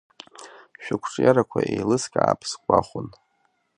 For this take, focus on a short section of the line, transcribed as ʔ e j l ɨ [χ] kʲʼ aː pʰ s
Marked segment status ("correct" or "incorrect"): incorrect